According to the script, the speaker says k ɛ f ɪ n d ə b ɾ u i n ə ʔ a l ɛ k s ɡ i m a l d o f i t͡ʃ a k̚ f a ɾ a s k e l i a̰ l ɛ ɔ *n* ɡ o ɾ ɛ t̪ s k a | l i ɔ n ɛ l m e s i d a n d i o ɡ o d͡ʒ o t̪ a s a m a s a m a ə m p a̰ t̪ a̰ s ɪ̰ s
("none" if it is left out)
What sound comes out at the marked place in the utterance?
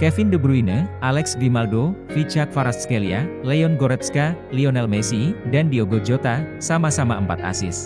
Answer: n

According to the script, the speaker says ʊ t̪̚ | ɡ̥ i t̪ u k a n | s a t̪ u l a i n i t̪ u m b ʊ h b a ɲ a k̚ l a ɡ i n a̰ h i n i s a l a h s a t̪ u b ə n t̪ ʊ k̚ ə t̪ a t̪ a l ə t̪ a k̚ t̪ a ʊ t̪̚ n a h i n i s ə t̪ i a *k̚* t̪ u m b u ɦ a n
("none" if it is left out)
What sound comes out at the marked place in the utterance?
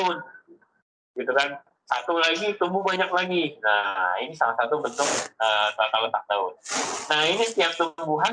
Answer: p̚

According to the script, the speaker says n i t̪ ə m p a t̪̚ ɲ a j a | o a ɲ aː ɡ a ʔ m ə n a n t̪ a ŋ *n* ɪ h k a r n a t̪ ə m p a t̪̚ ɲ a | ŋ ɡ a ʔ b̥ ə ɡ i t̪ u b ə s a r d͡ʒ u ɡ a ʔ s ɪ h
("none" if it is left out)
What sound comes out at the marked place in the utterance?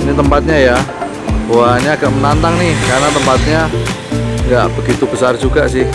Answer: n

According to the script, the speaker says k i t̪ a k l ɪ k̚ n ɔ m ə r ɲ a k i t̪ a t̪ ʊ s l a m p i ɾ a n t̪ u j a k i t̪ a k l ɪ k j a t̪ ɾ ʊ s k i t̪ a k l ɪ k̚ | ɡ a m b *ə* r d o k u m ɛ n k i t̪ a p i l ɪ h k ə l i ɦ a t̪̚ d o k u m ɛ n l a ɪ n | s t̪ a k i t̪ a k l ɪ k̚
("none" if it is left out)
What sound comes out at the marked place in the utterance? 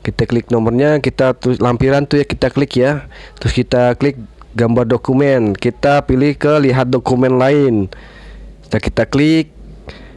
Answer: a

